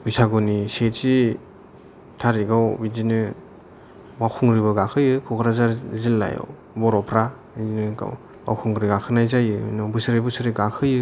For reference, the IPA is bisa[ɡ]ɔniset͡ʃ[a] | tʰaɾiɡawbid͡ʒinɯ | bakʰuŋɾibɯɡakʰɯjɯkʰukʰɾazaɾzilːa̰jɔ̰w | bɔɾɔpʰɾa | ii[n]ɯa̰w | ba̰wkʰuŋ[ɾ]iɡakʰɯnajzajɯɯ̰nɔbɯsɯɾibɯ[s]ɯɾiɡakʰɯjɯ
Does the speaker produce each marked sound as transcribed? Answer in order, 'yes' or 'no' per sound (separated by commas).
yes, no, yes, yes, yes